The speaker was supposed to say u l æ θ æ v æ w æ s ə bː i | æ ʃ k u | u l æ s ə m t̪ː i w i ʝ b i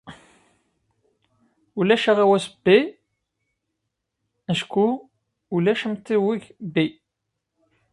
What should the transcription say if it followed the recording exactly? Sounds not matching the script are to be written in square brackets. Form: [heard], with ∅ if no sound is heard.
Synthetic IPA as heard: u l æ [ʃ] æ [ʁ] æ w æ s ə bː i | æ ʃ k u | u l æ [ʃ] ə m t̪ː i w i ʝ b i